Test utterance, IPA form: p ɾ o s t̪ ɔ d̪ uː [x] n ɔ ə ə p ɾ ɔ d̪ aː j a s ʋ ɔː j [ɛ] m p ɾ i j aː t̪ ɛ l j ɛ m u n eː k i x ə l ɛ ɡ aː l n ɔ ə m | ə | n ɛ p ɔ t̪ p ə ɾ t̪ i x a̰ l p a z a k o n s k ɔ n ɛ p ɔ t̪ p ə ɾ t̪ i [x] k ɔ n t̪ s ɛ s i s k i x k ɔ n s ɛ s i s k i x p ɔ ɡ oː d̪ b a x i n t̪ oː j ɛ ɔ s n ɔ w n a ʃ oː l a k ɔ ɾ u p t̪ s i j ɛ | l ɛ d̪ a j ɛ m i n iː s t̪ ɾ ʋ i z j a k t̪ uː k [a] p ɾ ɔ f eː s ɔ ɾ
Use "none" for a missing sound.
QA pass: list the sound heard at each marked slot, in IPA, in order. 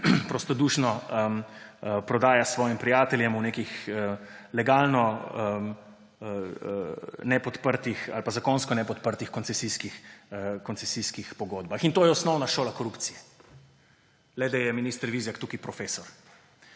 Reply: ʃ, i, x, i

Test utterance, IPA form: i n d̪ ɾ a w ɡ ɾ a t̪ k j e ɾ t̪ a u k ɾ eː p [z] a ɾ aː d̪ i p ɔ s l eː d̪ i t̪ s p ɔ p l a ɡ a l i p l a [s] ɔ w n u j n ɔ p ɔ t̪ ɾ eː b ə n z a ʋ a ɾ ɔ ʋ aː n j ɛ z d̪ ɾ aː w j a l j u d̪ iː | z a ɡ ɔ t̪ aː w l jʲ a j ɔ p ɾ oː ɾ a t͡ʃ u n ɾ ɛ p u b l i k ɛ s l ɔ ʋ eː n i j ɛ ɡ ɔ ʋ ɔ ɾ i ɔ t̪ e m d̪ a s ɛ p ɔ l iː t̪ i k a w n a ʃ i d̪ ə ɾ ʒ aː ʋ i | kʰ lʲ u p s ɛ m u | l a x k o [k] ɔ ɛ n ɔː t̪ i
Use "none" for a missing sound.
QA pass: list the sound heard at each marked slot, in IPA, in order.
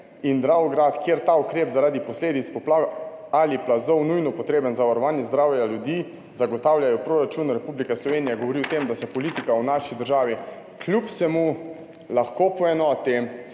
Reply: z, z, p

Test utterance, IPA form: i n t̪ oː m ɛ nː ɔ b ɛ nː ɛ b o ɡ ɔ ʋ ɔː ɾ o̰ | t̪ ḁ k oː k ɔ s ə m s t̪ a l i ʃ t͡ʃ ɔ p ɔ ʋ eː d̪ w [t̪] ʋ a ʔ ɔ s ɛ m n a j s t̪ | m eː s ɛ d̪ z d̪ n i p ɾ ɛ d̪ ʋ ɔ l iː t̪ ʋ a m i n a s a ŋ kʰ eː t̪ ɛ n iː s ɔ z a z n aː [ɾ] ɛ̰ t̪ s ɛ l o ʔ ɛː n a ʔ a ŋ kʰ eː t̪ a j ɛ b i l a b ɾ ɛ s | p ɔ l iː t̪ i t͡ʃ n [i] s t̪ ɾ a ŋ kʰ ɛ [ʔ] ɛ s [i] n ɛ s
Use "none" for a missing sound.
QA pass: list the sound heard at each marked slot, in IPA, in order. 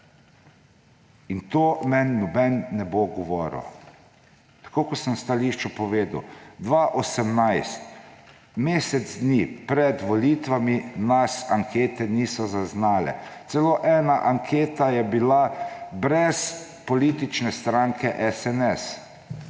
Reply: d̪, l, ɛ, ʔ, ɛ

